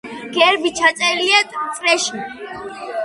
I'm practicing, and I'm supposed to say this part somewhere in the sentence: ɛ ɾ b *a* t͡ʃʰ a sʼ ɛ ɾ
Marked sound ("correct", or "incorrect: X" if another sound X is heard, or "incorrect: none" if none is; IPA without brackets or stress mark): incorrect: i